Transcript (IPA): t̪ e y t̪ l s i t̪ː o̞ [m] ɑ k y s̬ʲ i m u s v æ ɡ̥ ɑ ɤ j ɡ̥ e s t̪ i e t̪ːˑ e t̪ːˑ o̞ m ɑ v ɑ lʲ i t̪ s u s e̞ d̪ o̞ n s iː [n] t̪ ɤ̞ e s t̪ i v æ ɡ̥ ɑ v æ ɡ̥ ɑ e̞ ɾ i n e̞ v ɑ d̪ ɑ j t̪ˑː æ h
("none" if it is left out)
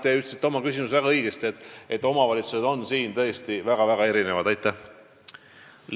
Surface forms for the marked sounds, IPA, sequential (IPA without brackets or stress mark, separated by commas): m, n